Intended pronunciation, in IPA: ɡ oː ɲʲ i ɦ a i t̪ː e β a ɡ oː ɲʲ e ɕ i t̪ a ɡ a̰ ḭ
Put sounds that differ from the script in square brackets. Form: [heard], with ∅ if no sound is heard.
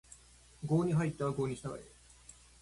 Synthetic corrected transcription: ɡ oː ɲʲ i ɦ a i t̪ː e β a ɡ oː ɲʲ [i] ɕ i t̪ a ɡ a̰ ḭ